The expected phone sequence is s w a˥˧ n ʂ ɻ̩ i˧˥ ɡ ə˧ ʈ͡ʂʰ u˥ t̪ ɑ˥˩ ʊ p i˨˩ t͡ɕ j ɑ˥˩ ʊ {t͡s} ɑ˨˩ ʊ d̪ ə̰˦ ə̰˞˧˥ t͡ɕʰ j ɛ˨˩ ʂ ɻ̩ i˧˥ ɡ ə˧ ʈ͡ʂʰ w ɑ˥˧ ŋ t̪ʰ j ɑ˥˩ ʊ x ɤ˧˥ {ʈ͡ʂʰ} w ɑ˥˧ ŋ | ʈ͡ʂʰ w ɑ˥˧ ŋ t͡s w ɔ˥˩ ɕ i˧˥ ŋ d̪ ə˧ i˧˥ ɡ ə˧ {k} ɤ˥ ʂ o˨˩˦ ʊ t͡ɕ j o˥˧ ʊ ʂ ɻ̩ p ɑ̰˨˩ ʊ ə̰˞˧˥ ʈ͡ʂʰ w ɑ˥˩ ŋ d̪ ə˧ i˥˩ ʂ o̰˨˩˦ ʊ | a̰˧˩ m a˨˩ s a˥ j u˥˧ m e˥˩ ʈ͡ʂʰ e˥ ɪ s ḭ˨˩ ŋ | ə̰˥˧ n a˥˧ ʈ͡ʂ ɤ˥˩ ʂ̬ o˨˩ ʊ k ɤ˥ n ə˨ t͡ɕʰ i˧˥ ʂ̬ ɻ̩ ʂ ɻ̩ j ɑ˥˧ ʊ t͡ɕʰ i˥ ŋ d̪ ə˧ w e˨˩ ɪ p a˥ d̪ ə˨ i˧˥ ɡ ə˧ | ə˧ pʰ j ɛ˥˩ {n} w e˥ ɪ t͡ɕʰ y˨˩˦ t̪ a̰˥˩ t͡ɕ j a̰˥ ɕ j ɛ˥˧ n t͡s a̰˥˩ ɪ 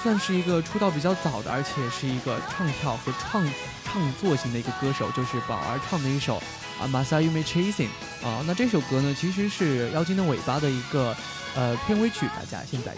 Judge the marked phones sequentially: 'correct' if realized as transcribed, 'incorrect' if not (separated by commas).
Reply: correct, correct, correct, correct